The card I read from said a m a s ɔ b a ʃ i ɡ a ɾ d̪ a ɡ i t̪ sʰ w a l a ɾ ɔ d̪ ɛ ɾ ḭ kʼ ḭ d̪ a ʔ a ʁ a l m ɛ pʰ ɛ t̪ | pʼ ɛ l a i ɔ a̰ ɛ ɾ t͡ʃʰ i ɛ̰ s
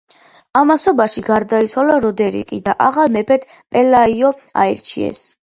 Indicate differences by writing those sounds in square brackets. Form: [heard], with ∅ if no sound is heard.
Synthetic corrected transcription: a m a s ɔ b a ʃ i ɡ a ɾ d̪ a [∅] i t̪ sʰ w a l a ɾ ɔ d̪ ɛ ɾ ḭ kʼ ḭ d̪ a ʔ a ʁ a l m ɛ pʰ ɛ t̪ | pʼ ɛ l a i ɔ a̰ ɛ ɾ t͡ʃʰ i ɛ̰ s

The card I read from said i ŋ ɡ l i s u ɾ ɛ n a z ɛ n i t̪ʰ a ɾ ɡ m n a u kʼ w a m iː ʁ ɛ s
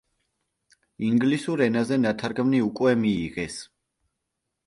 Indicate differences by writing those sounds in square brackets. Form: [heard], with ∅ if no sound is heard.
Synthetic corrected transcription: i ŋ ɡ l i s u ɾ ɛ n a z ɛ n [a] t̪ʰ a ɾ ɡ m n [i] u kʼ w [ɛ] m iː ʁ ɛ s

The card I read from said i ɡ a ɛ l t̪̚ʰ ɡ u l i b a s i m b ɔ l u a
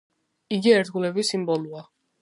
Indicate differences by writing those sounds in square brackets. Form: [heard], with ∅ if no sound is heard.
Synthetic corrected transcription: i ɡ [i] ɛ [ɾ] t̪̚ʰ ɡ u l [ɛ] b [i] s i m b ɔ l u a

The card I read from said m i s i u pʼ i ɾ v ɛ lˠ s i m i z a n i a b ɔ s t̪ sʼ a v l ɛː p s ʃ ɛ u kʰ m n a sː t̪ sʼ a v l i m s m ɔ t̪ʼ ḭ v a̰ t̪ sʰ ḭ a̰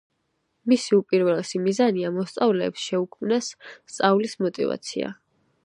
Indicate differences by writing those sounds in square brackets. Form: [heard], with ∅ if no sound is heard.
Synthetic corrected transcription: m i s i u pʼ i ɾ v ɛ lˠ s i m i z a n i a [m] ɔ s t̪ sʼ a v l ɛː p s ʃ ɛ u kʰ m n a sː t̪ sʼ a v l i [∅] s m ɔ t̪ʼ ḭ v a̰ t̪ sʰ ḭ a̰

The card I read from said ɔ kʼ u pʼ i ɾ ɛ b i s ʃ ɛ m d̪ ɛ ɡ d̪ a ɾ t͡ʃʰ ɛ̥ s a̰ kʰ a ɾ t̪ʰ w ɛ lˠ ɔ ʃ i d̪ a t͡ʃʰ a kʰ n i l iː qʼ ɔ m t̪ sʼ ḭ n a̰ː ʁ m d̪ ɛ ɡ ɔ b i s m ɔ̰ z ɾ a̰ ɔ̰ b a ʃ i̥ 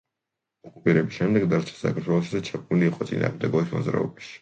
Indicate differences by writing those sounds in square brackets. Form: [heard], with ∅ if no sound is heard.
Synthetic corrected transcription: ɔ kʼ u pʼ i ɾ ɛ b i s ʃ ɛ m d̪ ɛ ɡ d̪ a ɾ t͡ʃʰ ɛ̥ s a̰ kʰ a ɾ t̪ʰ w ɛ lˠ ɔ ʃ i d̪ a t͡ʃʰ a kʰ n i l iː qʼ ɔ [∅] t̪ sʼ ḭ n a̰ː ʁ m d̪ ɛ ɡ ɔ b i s m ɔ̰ z ɾ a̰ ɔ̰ b a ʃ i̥

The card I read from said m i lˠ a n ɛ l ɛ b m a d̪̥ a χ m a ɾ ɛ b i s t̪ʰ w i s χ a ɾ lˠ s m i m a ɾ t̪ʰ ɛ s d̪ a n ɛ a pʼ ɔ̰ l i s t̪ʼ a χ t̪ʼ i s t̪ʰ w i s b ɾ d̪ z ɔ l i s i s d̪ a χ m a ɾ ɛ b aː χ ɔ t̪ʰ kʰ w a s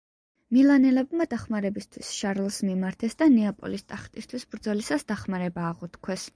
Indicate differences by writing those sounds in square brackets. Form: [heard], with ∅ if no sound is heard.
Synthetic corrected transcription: m i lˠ a n ɛ l ɛ b m a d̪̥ a χ m a ɾ ɛ b i s t̪ʰ w i s [ʃ] a ɾ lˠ s m i m a ɾ t̪ʰ ɛ s d̪ a n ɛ a pʼ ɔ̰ l i s t̪ʼ a χ t̪ʼ i s t̪ʰ w i s b ɾ d̪ z ɔ l i s [a] s d̪ a χ m a ɾ ɛ b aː [ʁ] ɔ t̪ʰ kʰ w [ɛ] s

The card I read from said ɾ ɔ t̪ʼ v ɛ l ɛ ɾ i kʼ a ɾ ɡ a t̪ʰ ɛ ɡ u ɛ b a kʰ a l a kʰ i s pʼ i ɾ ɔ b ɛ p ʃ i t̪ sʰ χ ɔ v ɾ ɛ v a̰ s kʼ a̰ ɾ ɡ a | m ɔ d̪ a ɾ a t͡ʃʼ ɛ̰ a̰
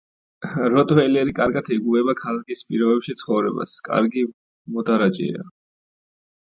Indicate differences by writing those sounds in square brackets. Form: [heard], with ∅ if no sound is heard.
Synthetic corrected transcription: ɾ ɔ t̪ʼ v ɛ l ɛ ɾ i kʼ a ɾ ɡ a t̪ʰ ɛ ɡ u ɛ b a kʰ a l a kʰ i s pʼ i ɾ ɔ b ɛ p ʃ i t̪ sʰ χ ɔ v ɾ ɛ [b] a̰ s kʼ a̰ ɾ ɡ [i] | m ɔ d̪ a ɾ a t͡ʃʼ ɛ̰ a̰

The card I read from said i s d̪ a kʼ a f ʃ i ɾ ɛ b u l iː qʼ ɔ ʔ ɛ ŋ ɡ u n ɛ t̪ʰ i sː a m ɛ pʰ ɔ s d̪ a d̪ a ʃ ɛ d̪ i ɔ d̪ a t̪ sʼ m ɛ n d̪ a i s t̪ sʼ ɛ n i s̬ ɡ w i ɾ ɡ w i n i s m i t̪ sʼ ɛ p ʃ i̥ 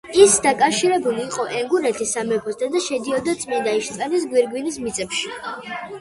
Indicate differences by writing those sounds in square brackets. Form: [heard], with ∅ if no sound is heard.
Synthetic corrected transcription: i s d̪ a kʼ a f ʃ i ɾ ɛ b u l iː qʼ ɔ ʔ ɛ ŋ ɡ u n ɛ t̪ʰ i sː a m ɛ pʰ ɔ s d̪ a d̪ a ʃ ɛ d̪ i ɔ d̪ a t̪ sʼ m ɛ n d̪ a i [ʃ] t̪ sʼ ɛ n i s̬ ɡ w i ɾ ɡ w i n i s m i t̪ sʼ ɛ p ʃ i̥

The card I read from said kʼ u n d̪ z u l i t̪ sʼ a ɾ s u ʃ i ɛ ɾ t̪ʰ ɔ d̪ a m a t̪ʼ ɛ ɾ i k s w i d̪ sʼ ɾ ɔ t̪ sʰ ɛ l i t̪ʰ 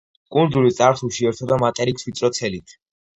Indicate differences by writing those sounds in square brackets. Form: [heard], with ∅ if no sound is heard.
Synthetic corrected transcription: kʼ u n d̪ z u l i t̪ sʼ a ɾ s u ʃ i ɛ ɾ t̪ʰ ɔ d̪ a m a t̪ʼ ɛ ɾ i k s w i [t̪] sʼ ɾ ɔ t̪ sʰ ɛ l i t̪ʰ

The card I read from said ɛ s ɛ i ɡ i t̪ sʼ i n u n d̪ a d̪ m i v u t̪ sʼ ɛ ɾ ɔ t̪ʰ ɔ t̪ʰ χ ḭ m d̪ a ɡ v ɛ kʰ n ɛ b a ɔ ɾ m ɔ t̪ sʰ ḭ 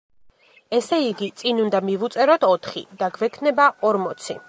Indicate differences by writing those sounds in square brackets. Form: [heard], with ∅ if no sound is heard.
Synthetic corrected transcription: ɛ s ɛ i ɡ i t̪ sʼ i n u n d̪ a [∅] m i v u t̪ sʼ ɛ ɾ ɔ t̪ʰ ɔ t̪ʰ χ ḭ [∅] d̪ a ɡ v ɛ kʰ n ɛ b a ɔ ɾ m ɔ t̪ sʰ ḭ

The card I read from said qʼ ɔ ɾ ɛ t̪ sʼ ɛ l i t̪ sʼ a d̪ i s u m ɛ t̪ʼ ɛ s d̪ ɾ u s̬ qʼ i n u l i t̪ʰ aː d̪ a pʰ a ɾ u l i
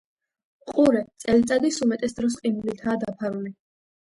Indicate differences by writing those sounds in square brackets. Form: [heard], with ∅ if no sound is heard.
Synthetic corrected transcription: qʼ [u] ɾ ɛ t̪ sʼ ɛ l i t̪ sʼ a d̪ i s u m ɛ t̪ʼ ɛ s d̪ ɾ [ɔ] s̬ qʼ i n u l i t̪ʰ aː d̪ a pʰ a ɾ u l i

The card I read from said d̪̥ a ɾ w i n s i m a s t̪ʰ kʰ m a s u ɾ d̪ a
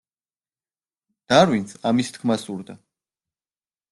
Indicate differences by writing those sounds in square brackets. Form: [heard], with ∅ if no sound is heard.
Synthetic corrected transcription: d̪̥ a ɾ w i n s [a] m [i] s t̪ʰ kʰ m a s u ɾ d̪ a

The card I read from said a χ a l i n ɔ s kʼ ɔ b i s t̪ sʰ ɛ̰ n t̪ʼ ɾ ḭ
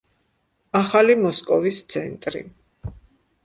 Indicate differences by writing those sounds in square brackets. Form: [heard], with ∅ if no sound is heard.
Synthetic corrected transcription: a χ a l i [m] ɔ s kʼ ɔ [v] i s t̪ sʰ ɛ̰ n t̪ʼ ɾ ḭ

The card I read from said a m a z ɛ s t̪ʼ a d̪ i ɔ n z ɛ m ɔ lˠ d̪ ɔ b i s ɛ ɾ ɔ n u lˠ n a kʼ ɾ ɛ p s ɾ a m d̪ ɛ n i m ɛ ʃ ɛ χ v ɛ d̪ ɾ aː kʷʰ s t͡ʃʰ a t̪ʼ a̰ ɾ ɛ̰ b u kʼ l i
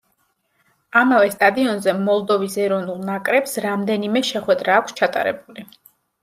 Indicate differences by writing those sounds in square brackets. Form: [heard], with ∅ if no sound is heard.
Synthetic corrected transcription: a m a [v] ɛ s t̪ʼ a d̪ i ɔ n z ɛ m ɔ lˠ d̪ ɔ [v] i s ɛ ɾ ɔ n u lˠ n a kʼ ɾ ɛ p s ɾ a m d̪ ɛ n i m ɛ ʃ ɛ χ [w] ɛ d̪ ɾ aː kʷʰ s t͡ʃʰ a t̪ʼ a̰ ɾ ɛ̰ b u [∅] l i

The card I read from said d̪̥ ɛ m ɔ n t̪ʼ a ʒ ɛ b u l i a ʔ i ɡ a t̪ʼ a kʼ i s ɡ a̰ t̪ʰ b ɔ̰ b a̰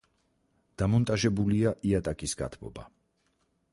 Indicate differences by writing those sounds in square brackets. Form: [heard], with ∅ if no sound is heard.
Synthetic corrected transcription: d̪̥ [a] m ɔ n t̪ʼ a ʒ ɛ b u l i a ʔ i [∅] a t̪ʼ a kʼ i s ɡ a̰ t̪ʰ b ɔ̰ b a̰

